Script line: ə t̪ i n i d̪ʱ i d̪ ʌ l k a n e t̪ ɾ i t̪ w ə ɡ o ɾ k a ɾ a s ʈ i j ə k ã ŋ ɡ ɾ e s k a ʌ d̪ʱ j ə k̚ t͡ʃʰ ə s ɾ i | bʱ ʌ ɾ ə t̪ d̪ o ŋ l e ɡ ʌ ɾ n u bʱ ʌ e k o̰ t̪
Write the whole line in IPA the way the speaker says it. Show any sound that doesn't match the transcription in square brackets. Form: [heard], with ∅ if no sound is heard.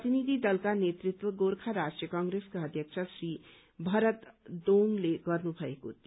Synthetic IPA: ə t̪ i n i d̪ʱ i d̪ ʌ l k a n e t̪ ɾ i t̪ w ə ɡ o ɾ [kʰ] a ɾ a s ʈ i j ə k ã ŋ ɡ ɾ e s k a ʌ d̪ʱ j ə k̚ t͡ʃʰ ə s ɾ i | bʱ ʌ ɾ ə t̪ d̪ o ŋ l e ɡ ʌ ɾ n u bʱ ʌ e k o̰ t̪

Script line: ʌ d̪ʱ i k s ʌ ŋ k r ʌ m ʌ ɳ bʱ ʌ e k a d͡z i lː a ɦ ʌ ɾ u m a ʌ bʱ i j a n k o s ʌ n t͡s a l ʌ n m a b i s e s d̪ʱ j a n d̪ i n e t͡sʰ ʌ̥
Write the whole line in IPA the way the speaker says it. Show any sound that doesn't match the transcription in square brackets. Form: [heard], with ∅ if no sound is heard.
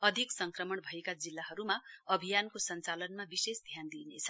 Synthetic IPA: ʌ d̪ʱ i k s ʌ ŋ k r ʌ m ʌ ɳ bʱ ʌ e k a d͡z i lː a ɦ ʌ ɾ u m a ʌ bʱ i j a n k o s ʌ n t͡s a l ʌ n m a b i s e s d̪ʱ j a n d̪ i n e t͡sʰ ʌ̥

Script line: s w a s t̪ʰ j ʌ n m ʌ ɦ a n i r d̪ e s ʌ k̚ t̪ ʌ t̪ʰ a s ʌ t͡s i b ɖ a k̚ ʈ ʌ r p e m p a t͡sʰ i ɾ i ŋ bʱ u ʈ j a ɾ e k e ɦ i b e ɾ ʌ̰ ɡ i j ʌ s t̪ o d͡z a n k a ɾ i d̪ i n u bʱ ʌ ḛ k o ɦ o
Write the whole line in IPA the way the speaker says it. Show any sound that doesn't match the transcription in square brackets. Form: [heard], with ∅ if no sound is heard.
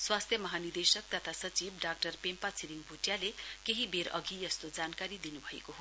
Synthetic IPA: s w a s t̪ʰ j ʌ [∅] m ʌ ɦ a n i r d̪ e s ʌ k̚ t̪ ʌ t̪ʰ a s ʌ t͡s i b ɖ a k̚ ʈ ʌ r p e m p a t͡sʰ i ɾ i ŋ bʱ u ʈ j a [l] e k e ɦ i b e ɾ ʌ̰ ɡ i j ʌ s t̪ o d͡z a n k a ɾ i d̪ i n u bʱ ʌ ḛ k o ɦ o

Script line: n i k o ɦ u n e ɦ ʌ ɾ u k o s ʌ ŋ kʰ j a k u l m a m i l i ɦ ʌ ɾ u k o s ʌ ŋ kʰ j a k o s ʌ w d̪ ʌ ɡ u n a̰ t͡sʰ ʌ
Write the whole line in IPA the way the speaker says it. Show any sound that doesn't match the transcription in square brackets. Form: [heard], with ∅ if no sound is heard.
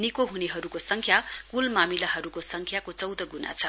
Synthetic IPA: n i k o ɦ u n e ɦ ʌ ɾ u k o s ʌ ŋ kʰ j a k u l m a m i l [a] ɦ ʌ ɾ u k o s ʌ ŋ kʰ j a k o [t͡s] ʌ w d̪ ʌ ɡ u n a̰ t͡sʰ ʌ

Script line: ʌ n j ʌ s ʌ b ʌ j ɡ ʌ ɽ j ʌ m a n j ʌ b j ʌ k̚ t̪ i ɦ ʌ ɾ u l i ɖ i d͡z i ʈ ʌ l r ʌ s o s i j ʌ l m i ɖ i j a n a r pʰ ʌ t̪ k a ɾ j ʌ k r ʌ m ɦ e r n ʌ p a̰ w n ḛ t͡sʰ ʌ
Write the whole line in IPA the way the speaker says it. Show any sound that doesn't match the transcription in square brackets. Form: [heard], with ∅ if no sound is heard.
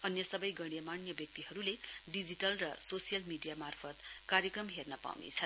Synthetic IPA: ʌ n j ʌ s ʌ b ʌ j ɡ ʌ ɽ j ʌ m a n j ʌ b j ʌ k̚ t̪ i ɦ ʌ ɾ u l [e] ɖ i d͡z i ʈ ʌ l r ʌ s o s i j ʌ l m i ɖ i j a [m] a r pʰ ʌ t̪ k a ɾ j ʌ k r ʌ m ɦ e r n ʌ p a̰ w n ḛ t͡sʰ ʌ

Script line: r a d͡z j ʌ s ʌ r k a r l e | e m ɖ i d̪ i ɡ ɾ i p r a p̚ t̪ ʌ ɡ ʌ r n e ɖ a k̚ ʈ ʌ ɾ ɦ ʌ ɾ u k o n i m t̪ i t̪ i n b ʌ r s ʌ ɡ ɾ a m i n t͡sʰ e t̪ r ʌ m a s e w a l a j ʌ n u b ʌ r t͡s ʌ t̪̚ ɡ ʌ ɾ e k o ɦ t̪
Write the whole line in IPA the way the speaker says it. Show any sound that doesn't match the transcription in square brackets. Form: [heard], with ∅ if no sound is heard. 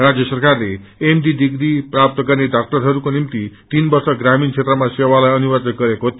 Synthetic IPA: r a d͡z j ʌ s ʌ r k a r l e | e m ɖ i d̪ i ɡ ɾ i p r a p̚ t̪ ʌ ɡ ʌ r n e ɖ a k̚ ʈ ʌ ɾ ɦ ʌ ɾ u k o n i m t̪ i t̪ i n b ʌ r s ʌ ɡ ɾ a m i n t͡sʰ e t̪ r ʌ m a s e w a l a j ʌ n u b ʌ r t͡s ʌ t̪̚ ɡ ʌ ɾ e k o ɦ t̪

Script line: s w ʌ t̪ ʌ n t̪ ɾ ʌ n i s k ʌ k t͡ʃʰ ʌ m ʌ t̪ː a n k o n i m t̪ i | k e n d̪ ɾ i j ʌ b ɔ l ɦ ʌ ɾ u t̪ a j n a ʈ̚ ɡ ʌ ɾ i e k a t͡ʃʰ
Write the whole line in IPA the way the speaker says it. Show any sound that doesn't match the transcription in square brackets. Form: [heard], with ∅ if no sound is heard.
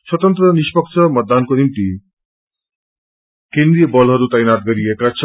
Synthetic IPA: s w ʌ t̪ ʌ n t̪ ɾ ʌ n i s [p] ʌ k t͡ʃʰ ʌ m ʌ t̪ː a n k o n i m t̪ i | k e n d̪ ɾ i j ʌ b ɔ l ɦ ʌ ɾ u t̪ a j n a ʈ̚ ɡ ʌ ɾ i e k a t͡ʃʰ

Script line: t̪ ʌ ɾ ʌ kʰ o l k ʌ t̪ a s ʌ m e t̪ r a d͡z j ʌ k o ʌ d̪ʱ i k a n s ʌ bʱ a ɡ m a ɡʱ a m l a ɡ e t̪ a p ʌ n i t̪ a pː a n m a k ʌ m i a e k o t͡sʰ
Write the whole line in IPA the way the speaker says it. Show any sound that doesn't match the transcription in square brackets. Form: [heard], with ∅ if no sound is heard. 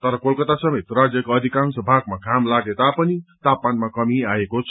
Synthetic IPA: t̪ ʌ ɾ ʌ [k] o l k ʌ t̪ a s ʌ m e t̪ r a d͡z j ʌ k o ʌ d̪ʱ i k a n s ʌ bʱ a ɡ m a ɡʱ a m l a ɡ e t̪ a p ʌ n i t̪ a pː a n m a k ʌ m i a e k o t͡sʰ

